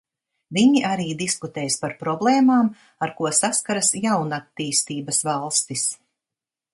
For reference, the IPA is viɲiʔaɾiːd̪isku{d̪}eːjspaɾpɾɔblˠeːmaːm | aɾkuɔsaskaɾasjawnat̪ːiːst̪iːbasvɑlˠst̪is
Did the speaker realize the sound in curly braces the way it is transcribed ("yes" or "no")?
no